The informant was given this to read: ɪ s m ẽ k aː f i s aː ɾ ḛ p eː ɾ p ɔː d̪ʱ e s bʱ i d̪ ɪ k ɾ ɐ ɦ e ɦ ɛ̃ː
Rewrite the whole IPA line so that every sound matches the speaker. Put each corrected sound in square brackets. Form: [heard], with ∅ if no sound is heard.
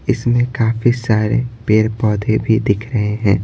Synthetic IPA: ɪ s m ẽ k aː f i s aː ɾ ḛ p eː ɾ p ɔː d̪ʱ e [∅] bʱ i d̪ ɪ [kʰ] ɾ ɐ ɦ e ɦ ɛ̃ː